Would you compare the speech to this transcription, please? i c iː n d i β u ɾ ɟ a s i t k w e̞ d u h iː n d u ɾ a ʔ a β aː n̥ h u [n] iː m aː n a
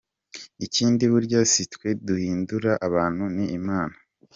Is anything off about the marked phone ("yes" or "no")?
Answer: no